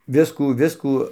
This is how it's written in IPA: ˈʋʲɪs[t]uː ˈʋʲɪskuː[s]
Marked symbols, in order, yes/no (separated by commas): no, no